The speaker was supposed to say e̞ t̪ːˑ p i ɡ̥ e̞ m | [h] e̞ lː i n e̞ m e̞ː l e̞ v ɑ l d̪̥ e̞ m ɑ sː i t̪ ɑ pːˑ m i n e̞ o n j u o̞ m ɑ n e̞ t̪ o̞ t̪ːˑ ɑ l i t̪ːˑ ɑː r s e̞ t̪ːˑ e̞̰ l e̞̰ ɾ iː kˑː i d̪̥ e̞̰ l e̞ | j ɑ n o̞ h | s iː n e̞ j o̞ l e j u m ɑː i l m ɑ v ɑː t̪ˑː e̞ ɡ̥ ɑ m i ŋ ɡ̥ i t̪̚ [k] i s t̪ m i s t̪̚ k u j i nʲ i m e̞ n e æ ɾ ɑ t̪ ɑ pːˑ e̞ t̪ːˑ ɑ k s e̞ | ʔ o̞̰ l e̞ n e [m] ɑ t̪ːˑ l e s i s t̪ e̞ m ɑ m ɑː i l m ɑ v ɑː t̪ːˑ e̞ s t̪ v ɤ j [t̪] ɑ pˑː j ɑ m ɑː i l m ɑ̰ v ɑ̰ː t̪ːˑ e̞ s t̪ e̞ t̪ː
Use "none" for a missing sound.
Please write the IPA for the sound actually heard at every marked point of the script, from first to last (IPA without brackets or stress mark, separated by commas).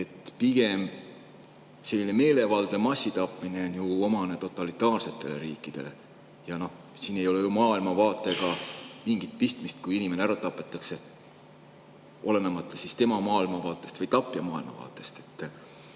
s, p, m, t̪